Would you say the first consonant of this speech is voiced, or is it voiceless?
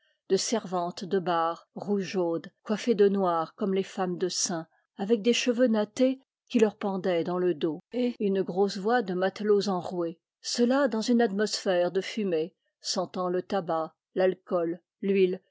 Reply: voiced